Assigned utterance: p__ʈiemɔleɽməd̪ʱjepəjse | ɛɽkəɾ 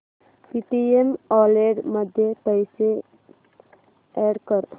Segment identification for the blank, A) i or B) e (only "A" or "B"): A